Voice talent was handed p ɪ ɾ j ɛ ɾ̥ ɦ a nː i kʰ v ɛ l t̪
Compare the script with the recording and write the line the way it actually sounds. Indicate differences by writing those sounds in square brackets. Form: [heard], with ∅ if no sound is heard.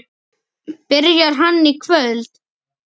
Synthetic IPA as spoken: p ɪ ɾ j [a] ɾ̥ ɦ a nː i kʰ v [œ] l t̪